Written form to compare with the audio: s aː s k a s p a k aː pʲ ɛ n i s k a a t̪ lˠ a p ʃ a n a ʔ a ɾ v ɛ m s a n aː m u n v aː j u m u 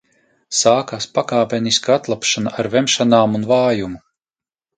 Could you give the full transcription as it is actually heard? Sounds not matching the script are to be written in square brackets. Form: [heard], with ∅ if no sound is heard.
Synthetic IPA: s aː [∅] k a s p a k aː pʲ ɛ n i s k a a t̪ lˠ a p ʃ a n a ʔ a ɾ v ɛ m [ʃ] a n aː m u n v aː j u m u

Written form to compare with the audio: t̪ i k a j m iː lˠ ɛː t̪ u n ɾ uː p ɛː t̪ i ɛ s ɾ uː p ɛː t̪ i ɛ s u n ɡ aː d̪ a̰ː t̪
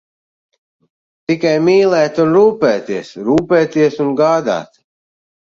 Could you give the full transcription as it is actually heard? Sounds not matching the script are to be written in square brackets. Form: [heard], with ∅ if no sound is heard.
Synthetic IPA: t̪ i k a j m iː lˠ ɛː t̪ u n ɾ uː p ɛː t̪ i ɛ s ɾ uː p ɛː t̪ i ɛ s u n ɡ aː d̪ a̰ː t̪

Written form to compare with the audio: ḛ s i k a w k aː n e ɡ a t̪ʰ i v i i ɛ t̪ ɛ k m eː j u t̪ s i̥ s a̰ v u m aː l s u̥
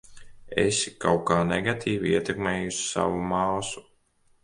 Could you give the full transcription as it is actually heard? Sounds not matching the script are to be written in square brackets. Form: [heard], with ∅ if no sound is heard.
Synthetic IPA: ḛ s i k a w k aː n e ɡ a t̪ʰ [iː] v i i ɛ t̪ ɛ k m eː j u [∅] s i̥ s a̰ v u m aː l s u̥

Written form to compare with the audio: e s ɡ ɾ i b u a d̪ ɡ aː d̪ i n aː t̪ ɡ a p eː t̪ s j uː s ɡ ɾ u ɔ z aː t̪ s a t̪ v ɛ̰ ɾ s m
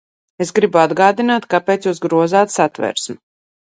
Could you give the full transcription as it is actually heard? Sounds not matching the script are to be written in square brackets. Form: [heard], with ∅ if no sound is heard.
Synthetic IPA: e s ɡ ɾ i b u a d̪ ɡ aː d̪ i n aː t̪ [k] a p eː t̪ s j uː s ɡ ɾ u ɔ z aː t̪ s a t̪ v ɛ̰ ɾ s m

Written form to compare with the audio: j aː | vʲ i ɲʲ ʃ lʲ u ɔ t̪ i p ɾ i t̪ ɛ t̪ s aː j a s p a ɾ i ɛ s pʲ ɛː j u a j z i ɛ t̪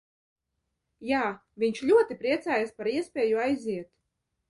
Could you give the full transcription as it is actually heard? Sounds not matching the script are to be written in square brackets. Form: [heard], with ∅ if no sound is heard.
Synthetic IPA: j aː | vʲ i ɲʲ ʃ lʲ u ɔ t̪ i p ɾ i [∅] ɛ t̪ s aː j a s p a ɾ i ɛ s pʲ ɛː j u a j z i ɛ t̪

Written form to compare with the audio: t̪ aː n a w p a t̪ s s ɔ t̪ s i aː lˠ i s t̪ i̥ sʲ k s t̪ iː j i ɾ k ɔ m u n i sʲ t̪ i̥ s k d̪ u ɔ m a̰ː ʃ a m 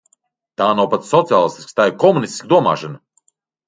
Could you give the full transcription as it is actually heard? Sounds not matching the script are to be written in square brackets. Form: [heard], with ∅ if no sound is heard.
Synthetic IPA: t̪ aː n a w p a t̪ s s ɔ t̪ s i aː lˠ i s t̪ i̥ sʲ k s t̪ [aː] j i ɾ k ɔ m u n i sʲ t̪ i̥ s k d̪ u ɔ m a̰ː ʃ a [n]

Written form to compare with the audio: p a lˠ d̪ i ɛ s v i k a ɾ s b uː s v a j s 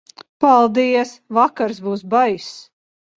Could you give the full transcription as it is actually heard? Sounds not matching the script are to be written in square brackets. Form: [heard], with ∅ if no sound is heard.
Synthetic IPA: p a lˠ d̪ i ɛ s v [a] k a ɾ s b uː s [b] a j s

